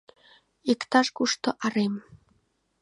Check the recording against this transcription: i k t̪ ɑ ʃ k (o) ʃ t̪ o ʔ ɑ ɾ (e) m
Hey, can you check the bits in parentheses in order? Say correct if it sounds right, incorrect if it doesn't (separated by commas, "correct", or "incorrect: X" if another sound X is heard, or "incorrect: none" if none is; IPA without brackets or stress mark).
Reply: incorrect: u, correct